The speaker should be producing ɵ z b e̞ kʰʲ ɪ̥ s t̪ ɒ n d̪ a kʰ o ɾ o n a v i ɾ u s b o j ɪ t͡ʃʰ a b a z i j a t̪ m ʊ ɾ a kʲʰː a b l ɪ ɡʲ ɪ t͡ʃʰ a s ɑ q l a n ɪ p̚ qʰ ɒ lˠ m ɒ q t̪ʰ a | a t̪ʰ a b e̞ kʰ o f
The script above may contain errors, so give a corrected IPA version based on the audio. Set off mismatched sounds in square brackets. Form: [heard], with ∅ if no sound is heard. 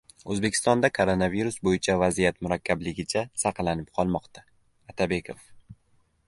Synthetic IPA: ɵ z b e̞ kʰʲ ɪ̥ s t̪ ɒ n d̪ a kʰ o ɾ o n a v i ɾ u s b o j ɪ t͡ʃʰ a [v] a z i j a t̪ m ʊ ɾ a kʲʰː a b l ɪ ɡʲ ɪ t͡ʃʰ a s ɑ q l a n ɪ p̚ qʰ ɒ lˠ m ɒ q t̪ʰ a | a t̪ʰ a b e̞ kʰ o f